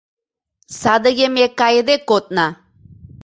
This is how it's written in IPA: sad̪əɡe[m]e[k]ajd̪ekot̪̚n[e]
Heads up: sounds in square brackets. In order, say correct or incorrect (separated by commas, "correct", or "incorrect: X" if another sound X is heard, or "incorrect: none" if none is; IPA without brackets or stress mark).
correct, correct, incorrect: a